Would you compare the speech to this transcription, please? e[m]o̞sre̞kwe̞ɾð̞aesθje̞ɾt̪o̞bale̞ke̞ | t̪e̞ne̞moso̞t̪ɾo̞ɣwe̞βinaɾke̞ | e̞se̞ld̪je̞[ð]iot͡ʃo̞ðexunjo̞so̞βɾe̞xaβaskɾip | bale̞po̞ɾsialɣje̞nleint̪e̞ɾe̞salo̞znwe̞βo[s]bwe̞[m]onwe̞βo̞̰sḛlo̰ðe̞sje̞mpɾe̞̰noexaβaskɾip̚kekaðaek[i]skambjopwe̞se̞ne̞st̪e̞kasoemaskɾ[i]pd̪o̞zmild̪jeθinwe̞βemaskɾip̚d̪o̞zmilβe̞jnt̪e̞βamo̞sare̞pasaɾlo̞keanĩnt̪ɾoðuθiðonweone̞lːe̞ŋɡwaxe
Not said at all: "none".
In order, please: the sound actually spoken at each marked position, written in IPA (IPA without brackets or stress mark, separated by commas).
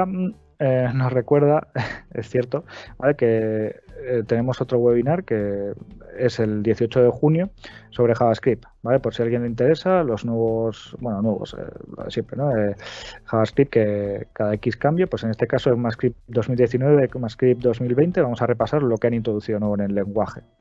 n, θ, s, n, i, i